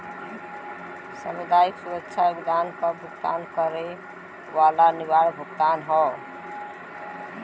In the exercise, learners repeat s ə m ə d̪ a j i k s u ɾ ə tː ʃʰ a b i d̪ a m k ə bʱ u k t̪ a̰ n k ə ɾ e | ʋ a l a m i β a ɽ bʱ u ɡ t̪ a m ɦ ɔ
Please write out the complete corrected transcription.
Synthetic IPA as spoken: s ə m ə d̪ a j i k s u ɾ ə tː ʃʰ a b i d̪ a n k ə bʱ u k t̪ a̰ n k ə ɾ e | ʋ a l a n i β a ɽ bʱ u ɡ t̪ a n ɦ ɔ